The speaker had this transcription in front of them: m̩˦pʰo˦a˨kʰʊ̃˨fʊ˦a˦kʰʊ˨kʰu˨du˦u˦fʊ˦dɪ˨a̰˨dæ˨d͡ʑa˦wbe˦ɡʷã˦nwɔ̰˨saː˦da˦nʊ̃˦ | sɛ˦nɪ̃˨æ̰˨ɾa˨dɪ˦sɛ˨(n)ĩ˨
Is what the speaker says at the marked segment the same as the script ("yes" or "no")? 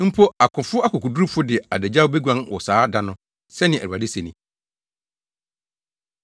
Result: yes